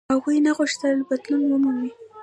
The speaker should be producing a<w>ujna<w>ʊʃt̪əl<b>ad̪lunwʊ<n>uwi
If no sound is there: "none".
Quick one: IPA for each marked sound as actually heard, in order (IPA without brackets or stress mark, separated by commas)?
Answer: ɣ, ɣ, b, m